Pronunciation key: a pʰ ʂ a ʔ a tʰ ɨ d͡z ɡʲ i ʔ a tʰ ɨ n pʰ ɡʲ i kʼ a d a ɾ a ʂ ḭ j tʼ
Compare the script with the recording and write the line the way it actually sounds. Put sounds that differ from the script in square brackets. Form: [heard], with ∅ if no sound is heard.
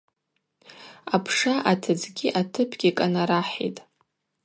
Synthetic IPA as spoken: a pʰ ʂ a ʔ a tʰ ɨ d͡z ɡʲ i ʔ a tʰ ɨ [∅] pʰ ɡʲ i kʼ a [n] a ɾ a [ħ] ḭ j tʼ